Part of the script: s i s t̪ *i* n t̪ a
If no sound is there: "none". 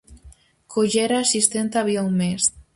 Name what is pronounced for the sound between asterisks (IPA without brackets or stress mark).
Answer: e